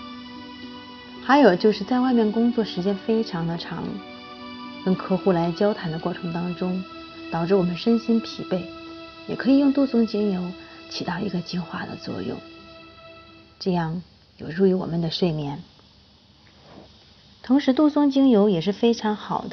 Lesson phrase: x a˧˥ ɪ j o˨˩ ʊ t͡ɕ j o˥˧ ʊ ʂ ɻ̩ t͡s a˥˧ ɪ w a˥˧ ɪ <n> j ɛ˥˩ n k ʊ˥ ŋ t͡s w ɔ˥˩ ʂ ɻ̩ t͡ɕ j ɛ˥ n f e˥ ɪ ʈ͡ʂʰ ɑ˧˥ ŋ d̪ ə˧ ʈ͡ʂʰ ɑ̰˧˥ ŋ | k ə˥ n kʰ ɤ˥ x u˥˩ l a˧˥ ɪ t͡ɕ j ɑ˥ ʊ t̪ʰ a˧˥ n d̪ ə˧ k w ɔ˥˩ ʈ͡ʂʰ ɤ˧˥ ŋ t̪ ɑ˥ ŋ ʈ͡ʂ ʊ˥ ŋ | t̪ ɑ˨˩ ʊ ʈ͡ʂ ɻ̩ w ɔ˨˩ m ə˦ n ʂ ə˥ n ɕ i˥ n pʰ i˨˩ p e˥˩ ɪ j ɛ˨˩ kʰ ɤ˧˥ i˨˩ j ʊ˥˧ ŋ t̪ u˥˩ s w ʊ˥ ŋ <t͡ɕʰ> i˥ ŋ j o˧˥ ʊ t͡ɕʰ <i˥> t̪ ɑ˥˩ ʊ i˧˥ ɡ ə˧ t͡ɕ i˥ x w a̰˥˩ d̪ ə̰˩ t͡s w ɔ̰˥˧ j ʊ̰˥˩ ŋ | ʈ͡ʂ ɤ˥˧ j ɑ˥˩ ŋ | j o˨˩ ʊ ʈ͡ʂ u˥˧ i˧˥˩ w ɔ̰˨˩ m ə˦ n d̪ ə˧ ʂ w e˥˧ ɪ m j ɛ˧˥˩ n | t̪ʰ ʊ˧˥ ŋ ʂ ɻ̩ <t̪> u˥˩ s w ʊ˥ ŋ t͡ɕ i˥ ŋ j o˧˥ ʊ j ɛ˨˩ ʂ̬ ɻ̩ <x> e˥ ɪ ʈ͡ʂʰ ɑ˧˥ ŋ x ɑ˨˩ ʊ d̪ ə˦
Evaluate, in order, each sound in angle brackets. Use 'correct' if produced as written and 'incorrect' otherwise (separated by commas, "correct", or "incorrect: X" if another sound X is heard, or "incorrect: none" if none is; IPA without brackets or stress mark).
incorrect: m, incorrect: t͡ɕ, incorrect: i˨˩, correct, incorrect: f